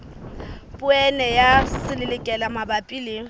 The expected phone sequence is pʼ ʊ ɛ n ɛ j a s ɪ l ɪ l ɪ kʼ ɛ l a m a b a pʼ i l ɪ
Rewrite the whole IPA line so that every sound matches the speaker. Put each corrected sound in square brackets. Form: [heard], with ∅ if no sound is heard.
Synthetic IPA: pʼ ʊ ɛ n ɛ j a s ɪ l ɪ l ɪ kʼ ɛ l a m a b a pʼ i l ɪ